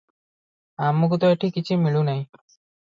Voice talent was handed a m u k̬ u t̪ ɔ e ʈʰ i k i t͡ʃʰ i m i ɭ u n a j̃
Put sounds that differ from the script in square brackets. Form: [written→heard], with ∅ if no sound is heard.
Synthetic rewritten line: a m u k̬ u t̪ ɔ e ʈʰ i k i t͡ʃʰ i m i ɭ u n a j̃